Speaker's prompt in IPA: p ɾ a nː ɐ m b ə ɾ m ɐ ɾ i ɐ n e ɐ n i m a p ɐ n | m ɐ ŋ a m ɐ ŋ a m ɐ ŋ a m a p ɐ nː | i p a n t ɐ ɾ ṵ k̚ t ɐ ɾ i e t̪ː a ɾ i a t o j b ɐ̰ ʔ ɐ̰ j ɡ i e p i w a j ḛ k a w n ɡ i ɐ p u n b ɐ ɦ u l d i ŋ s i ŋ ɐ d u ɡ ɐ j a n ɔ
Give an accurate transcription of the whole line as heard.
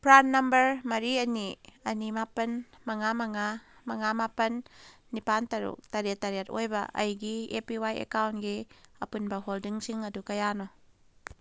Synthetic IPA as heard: p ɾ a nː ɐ m b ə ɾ m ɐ ɾ i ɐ n i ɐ n i m a p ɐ n | m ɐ ŋ a m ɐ ŋ a m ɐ ŋ a m a p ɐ nː | i p a n t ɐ ɾ ṵ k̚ t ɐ ɾ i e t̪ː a ɾ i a t o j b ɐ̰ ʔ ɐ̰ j ɡ i e p i w a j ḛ k a w n ɡ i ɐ p u n b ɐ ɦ o l d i ŋ s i ŋ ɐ d u k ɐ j a n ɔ